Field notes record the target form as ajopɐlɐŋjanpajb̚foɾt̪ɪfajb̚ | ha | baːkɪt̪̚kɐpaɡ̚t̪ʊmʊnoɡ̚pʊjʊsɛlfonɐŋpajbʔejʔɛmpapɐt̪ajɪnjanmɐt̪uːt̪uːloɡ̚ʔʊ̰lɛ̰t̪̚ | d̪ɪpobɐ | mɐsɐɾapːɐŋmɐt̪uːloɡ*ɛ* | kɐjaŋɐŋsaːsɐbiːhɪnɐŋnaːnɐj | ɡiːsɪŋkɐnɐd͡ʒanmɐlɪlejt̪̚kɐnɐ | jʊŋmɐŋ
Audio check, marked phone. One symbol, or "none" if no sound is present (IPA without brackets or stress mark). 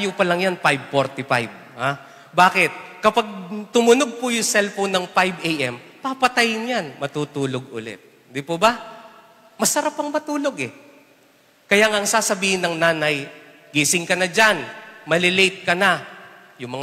ɛ